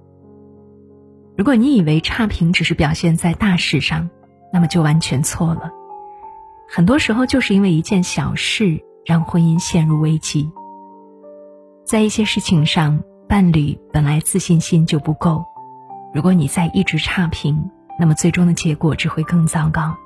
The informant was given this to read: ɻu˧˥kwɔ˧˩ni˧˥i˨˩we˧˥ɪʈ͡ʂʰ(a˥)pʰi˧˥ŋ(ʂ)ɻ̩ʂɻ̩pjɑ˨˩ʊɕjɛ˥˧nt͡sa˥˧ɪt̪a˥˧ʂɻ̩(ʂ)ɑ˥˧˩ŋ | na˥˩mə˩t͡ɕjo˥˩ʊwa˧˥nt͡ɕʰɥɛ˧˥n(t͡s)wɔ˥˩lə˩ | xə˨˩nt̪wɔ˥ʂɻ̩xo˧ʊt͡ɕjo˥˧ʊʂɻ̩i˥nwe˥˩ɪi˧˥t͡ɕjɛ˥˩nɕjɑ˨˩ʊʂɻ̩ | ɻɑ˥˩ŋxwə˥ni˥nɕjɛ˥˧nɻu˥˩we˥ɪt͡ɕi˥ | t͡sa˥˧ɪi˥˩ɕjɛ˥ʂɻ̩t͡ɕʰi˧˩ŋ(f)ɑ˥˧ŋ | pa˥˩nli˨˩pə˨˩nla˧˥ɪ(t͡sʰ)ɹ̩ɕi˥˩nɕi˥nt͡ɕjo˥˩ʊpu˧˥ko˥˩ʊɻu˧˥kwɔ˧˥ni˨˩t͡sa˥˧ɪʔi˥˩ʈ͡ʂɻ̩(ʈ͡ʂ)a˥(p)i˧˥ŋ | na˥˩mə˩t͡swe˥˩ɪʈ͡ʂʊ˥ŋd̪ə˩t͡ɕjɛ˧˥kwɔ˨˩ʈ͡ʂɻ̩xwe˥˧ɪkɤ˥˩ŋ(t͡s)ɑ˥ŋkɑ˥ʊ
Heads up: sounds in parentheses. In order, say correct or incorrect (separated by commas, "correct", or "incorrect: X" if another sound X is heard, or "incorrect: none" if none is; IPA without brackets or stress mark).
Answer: correct, incorrect: ʈ͡ʂ, correct, incorrect: t͡sʰ, incorrect: ʂ, incorrect: t͡s, incorrect: ʈ͡ʂʰ, incorrect: pʰ, correct